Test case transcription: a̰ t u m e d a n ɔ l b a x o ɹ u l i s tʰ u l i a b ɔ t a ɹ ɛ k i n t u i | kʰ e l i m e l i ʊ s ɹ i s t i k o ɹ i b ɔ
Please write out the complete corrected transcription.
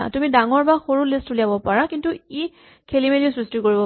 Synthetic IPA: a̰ t u m i d a ŋ ɔ ɹ b a x o ɹ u l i s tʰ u l i a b ɔ p a ɹ a k i n t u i | kʰ e l i m e l i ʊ s ɹ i s t i k o ɹ i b ɔ